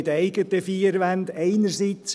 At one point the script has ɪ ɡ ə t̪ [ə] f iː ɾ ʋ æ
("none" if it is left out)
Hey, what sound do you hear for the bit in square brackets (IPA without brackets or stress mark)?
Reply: ə